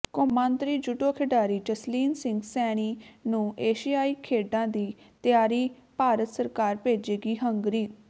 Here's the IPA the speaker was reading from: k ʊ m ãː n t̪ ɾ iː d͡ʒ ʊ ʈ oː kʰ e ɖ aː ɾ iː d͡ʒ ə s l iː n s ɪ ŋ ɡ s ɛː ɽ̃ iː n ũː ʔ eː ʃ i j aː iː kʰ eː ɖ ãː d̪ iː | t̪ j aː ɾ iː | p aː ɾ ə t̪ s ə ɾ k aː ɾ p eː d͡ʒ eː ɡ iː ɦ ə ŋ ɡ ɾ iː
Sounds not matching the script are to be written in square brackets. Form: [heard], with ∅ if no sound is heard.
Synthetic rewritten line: k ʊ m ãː n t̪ ɾ iː d͡ʒ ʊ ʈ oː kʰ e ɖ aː ɾ iː d͡ʒ ə s l iː n s ɪ ŋ ɡ s ɛː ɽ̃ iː n ũː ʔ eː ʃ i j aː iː kʰ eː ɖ ãː d̪ iː | t̪ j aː ɾ iː | p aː ɾ ə t̪ s ə ɾ k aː ɾ p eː d͡ʒ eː ɡ iː ɦ ə ŋ ɡ ɾ iː